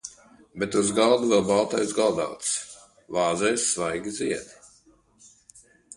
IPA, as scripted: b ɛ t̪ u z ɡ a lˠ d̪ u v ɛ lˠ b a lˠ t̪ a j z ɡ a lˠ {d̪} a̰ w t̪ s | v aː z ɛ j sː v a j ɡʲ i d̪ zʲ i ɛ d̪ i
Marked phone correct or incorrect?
correct